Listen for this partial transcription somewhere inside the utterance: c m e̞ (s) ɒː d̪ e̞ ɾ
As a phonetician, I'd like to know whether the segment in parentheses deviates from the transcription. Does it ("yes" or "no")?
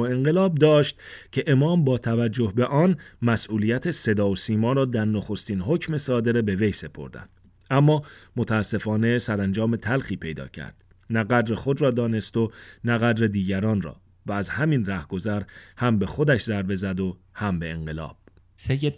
no